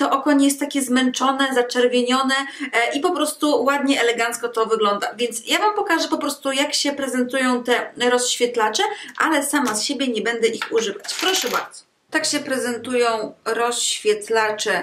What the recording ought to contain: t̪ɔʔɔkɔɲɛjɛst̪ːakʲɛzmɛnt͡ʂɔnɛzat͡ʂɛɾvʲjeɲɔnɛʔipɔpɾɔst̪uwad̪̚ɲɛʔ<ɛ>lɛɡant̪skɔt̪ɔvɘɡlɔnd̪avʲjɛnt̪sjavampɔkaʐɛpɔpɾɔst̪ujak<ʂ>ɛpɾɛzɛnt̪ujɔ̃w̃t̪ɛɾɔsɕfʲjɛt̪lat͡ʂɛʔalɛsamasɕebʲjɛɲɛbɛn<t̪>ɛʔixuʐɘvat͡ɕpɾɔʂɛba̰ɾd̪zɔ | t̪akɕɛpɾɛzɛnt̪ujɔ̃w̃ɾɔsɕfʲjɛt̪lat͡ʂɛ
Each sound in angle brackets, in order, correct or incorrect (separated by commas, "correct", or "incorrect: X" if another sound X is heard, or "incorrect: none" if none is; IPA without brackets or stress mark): correct, incorrect: ɕ, incorrect: d̪